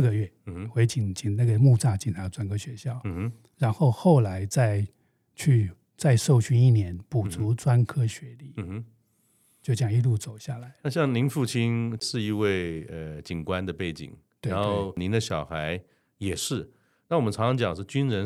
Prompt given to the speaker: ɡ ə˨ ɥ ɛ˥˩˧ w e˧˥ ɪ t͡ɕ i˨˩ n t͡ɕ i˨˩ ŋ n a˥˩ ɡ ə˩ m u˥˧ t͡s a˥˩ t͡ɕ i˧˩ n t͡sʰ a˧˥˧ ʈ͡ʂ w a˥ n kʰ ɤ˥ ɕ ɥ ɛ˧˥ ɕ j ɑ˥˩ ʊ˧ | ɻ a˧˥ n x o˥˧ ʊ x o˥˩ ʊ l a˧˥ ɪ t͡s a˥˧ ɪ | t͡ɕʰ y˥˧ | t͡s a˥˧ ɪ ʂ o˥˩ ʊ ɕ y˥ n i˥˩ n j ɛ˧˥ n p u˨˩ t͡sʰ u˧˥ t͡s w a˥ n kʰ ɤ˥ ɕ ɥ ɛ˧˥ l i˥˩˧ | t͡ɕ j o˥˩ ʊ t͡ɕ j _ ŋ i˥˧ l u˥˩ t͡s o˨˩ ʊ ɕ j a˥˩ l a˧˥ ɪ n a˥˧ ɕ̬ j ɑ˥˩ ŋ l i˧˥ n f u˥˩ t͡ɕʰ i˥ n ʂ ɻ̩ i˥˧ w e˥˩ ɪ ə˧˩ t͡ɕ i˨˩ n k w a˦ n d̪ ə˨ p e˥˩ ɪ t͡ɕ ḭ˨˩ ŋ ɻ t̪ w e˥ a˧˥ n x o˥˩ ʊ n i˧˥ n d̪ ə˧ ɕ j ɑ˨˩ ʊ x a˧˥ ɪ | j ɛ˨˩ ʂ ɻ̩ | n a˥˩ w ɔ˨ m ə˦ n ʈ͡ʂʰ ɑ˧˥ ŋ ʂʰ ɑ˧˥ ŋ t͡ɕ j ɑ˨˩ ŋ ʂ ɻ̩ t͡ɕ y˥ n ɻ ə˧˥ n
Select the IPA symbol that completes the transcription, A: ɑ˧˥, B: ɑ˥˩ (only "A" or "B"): B